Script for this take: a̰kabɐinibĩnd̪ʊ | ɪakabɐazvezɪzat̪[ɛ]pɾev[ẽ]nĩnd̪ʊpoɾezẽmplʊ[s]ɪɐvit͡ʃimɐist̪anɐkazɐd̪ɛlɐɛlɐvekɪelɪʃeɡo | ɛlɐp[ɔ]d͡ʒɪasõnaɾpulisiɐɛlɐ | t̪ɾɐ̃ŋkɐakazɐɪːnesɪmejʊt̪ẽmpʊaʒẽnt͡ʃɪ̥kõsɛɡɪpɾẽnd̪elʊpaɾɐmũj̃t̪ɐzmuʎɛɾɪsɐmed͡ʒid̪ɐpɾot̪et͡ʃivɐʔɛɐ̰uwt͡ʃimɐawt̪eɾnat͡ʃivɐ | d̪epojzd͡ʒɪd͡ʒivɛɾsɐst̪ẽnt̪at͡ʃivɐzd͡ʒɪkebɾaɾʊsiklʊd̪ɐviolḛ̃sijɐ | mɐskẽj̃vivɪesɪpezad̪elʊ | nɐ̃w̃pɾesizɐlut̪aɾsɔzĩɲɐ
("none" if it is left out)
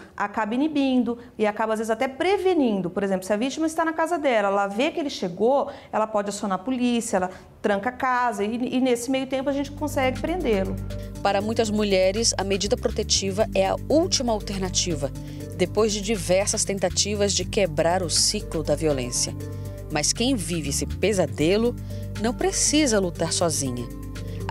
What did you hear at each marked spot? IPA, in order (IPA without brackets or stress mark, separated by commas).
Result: ɛ, e, s, ɔ